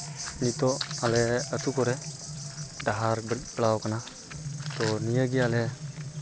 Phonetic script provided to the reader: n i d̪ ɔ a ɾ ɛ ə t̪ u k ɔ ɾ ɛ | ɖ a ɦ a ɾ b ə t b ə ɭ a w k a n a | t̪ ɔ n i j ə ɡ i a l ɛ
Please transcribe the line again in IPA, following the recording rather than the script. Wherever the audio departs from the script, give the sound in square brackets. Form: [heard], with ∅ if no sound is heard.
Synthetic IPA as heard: n i [t̪] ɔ a [l] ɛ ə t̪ u k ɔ ɾ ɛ | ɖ a ɦ a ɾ b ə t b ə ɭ a w k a n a | t̪ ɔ n i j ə ɡ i a l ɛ